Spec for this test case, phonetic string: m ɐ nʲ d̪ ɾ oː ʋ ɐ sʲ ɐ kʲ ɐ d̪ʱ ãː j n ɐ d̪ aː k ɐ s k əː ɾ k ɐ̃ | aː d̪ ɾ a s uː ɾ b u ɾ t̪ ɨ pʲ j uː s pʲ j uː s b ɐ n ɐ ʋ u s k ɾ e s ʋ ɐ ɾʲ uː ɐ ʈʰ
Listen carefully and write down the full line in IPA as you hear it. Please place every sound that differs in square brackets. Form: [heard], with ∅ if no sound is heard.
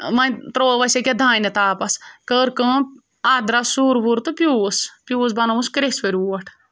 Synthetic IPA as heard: m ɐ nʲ [t̪] ɾ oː ʋ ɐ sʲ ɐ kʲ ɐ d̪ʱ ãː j n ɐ [t̪] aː [p] ɐ s k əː ɾ k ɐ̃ | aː d̪ ɾ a s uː ɾ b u ɾ t̪ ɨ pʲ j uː s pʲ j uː s b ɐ n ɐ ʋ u s k ɾ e s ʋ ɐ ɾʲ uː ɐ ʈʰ